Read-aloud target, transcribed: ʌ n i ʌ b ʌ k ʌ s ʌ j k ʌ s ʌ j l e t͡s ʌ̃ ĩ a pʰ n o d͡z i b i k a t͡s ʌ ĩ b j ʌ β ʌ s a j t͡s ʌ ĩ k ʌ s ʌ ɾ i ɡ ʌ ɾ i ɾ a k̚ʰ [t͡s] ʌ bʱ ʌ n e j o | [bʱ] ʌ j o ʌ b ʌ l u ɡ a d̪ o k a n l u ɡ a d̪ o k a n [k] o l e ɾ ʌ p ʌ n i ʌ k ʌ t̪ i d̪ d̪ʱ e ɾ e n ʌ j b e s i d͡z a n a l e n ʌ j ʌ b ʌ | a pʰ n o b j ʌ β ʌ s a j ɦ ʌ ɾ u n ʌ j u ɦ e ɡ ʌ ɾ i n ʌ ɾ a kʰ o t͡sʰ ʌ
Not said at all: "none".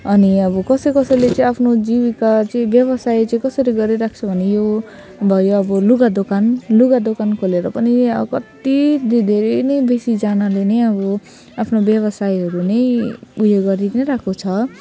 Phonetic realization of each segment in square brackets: t͡sʰ, bʱ, kʰ

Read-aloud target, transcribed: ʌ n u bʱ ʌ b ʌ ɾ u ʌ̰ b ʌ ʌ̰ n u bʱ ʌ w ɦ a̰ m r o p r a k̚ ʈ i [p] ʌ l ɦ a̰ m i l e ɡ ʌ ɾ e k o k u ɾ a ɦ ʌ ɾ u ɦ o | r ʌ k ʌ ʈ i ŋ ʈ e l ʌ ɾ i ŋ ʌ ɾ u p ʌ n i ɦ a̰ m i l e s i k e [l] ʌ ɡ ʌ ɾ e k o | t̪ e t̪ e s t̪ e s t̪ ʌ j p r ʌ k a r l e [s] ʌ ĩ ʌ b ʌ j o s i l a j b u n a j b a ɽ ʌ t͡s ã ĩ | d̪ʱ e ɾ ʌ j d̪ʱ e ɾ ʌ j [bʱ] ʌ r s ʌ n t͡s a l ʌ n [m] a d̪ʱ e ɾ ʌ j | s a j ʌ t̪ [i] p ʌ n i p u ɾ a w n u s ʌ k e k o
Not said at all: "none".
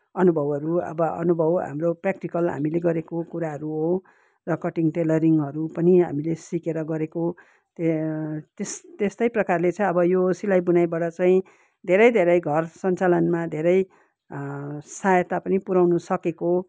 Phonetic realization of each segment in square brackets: k, ɾ, t͡s, ɡʱ, m, a

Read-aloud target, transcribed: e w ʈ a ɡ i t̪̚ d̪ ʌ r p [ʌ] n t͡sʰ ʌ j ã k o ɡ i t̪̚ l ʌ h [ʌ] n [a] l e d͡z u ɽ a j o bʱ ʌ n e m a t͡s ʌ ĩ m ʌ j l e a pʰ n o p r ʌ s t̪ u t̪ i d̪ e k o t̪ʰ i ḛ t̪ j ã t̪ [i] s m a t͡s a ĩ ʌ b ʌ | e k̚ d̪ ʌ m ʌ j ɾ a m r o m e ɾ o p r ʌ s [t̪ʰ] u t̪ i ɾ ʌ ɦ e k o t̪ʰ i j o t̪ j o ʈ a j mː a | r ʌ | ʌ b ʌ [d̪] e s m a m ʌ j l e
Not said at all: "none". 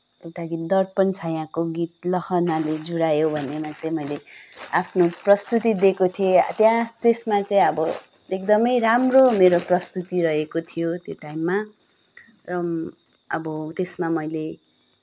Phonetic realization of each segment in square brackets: ʌ, ʌ, a, e, t̪, t̪

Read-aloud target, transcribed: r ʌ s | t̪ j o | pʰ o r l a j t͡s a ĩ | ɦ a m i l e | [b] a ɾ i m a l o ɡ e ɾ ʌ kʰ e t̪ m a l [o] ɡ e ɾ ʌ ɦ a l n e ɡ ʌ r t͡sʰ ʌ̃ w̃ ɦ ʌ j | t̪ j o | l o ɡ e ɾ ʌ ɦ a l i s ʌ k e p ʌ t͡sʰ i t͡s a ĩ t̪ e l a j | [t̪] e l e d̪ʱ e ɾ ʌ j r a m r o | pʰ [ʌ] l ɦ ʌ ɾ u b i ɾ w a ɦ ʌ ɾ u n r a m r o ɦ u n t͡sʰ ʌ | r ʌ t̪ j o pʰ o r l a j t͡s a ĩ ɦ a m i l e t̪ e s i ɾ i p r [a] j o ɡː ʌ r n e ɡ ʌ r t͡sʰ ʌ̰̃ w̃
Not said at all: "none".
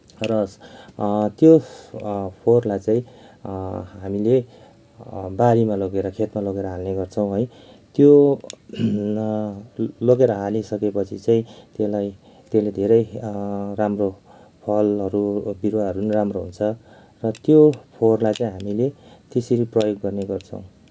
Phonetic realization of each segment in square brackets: b, o, t̪, ʌ, ʌ

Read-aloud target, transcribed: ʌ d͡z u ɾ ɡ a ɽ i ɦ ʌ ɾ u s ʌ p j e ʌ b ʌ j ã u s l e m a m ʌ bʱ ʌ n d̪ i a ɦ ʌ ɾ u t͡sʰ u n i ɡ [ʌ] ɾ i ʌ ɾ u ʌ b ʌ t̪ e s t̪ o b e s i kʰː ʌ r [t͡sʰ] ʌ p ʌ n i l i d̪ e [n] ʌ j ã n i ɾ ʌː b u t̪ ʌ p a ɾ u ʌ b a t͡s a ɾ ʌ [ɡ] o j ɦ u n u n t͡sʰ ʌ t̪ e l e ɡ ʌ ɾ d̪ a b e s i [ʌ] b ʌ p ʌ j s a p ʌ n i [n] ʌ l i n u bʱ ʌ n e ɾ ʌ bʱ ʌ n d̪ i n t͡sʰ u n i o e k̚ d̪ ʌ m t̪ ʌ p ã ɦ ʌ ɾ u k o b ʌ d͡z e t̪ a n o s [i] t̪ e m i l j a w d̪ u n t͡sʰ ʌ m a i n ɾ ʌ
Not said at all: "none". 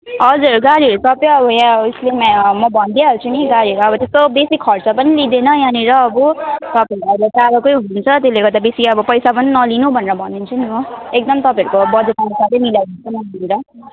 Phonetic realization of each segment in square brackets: a, t͡s, n, k, ʌ, n, a

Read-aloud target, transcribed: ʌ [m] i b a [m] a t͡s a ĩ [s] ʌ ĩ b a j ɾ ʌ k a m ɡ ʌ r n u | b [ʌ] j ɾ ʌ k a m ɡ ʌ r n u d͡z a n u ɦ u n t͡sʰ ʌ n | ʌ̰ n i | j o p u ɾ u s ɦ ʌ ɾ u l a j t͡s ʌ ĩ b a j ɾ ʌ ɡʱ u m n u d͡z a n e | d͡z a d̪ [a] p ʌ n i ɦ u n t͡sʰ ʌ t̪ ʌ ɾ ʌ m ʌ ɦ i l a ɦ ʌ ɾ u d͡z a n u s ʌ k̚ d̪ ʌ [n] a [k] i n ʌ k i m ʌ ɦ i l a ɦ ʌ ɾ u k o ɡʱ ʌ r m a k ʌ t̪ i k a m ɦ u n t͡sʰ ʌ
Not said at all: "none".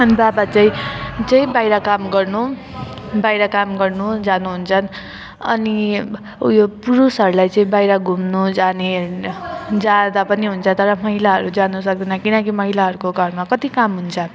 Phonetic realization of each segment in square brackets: n, b, t͡s, a, a, n, k

